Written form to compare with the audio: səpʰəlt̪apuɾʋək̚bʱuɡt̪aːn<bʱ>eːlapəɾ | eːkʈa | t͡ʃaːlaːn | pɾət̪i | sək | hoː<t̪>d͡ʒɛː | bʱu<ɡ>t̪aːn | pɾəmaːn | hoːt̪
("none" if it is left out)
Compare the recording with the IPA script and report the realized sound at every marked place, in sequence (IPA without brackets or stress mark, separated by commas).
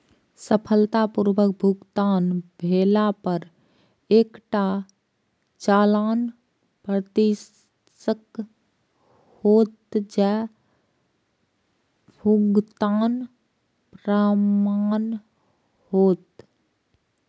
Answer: bʱ, t̪, ɡ